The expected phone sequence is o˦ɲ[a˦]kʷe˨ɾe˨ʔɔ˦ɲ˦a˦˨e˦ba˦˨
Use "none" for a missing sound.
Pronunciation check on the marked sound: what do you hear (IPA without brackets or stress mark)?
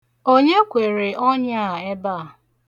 e˦